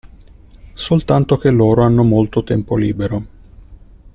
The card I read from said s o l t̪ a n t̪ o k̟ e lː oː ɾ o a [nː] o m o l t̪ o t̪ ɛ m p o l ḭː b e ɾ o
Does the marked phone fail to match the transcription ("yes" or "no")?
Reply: no